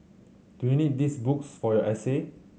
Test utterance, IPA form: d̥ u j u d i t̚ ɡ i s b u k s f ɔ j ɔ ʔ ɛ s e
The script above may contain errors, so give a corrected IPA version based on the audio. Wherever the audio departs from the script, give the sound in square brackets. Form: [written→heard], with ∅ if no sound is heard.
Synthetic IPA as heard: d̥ u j u [d→n] i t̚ [ɡ→d] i s b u k s f ɔ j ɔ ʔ ɛ s e